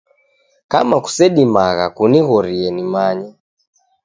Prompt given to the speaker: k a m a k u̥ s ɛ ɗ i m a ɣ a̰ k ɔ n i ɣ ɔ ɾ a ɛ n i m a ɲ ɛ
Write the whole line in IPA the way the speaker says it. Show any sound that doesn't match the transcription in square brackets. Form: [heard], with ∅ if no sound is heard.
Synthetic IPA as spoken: k a m a k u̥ s ɛ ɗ i m a ɣ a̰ k [u] n i ɣ ɔ ɾ [i] ɛ n i m a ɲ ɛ